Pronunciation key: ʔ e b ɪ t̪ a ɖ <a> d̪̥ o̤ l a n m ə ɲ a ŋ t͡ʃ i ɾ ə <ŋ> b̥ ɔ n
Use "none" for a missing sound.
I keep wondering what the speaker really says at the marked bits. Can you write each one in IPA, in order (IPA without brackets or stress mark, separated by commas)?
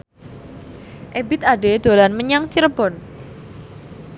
e, none